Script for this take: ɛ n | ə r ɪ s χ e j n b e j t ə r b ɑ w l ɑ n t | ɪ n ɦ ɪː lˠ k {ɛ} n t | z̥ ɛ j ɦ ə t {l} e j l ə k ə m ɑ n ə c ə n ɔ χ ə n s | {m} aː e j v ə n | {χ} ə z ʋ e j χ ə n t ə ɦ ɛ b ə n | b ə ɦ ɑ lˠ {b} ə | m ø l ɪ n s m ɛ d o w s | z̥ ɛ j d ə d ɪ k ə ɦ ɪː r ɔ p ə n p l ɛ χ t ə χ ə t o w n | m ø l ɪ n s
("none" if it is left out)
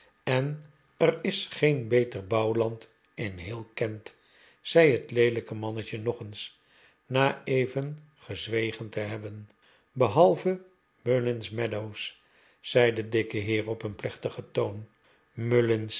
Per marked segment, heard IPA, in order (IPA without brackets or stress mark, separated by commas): ɛ, l, n, χ, v